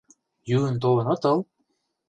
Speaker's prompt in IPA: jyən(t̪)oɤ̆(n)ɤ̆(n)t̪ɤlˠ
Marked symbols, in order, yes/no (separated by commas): yes, yes, no